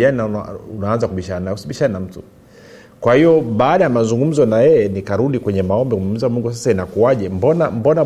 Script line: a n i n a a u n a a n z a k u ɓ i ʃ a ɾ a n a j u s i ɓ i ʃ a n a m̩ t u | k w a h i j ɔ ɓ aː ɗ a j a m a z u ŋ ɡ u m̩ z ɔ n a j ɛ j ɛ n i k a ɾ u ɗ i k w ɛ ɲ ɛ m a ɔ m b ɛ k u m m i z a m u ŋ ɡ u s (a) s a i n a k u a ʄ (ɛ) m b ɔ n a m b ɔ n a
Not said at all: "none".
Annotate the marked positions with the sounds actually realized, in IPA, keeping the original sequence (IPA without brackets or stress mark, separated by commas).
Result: a, ɛ